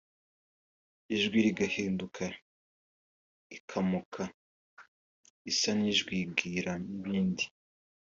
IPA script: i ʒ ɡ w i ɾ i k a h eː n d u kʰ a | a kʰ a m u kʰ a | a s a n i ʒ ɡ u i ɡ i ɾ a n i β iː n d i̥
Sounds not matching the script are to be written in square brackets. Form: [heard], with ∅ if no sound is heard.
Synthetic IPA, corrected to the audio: i ʒ ɡ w i ɾ i [ɡ] a h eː n d u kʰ a | [i] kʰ a m u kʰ a | [i] s a n i ʒ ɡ [w] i ɡ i ɾ a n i β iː n d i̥